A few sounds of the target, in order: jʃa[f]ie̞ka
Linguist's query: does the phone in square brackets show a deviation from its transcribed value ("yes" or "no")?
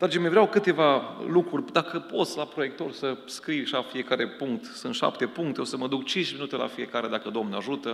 no